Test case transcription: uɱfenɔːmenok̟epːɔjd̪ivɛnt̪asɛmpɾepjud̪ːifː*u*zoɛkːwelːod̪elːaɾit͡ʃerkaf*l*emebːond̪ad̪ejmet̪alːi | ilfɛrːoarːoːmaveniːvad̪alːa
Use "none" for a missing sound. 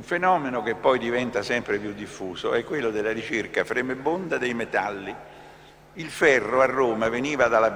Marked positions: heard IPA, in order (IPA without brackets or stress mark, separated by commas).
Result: uː, ɾ